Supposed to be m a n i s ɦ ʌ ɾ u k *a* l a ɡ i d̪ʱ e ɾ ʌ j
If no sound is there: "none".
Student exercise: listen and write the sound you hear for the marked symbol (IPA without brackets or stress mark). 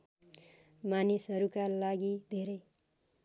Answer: a